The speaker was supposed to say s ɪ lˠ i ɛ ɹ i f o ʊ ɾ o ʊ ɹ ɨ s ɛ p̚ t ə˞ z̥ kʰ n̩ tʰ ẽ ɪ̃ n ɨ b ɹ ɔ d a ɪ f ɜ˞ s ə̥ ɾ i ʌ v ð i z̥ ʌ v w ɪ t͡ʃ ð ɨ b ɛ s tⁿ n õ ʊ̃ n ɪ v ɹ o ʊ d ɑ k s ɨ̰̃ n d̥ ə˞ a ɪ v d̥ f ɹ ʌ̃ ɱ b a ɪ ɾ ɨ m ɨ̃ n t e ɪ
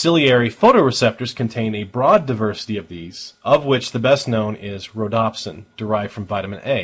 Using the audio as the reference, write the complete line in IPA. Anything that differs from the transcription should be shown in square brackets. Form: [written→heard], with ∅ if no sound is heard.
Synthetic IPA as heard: s ɪ lˠ i ɛ ɹ i f o ʊ ɾ o ʊ ɹ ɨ s ɛ p̚ t ə˞ z̥ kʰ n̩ tʰ ẽ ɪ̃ n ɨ b ɹ ɔ d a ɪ [f→v] ɜ˞ s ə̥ ɾ i ʌ v ð i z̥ ʌ v w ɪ t͡ʃ ð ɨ b ɛ s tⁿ n õ ʊ̃ n ɪ [v→z] ɹ o ʊ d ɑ [k→p] s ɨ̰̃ n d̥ ə˞ a ɪ v d̥ f ɹ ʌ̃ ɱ [b→v] a ɪ ɾ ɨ m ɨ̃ n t e ɪ